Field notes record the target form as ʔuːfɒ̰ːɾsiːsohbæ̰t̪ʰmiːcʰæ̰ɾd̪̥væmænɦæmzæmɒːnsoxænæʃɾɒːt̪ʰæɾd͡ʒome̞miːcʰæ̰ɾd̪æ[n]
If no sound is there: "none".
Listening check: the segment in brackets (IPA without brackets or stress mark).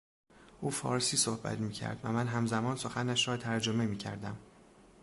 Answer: m